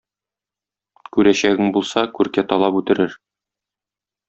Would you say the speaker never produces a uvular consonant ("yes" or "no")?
yes